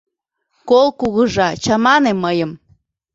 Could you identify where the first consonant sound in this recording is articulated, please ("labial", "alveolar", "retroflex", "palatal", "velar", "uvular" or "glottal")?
velar